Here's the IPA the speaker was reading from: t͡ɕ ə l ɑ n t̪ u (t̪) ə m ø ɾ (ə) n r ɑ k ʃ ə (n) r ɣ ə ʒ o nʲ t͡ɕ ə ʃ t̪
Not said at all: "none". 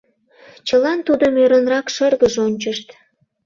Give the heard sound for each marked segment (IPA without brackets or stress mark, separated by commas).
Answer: d̪, ə, none